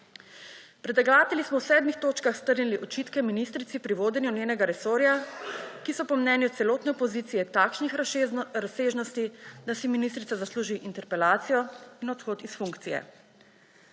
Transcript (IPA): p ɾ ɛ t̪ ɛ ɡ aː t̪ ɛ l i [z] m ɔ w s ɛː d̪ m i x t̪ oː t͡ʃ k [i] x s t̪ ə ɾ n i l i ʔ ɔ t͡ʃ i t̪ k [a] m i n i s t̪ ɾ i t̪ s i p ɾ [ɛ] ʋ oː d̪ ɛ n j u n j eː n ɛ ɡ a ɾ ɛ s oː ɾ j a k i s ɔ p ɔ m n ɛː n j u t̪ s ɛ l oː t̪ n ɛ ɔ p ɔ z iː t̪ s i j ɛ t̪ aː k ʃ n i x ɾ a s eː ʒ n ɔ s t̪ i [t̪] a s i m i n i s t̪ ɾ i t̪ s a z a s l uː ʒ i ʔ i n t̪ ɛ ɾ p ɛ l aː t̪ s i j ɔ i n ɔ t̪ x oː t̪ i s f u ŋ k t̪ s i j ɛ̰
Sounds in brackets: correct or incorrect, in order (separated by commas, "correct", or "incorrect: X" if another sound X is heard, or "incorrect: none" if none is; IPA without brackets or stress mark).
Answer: incorrect: s, incorrect: a, incorrect: ɛ, incorrect: i, incorrect: d̪